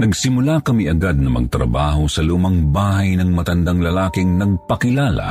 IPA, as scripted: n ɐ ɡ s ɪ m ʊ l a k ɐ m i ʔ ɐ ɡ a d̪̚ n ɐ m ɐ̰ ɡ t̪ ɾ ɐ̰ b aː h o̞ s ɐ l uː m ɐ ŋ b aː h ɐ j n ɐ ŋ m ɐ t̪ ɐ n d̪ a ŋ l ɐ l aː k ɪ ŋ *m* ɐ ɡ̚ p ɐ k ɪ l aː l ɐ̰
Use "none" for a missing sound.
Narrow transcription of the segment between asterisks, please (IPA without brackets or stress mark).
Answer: n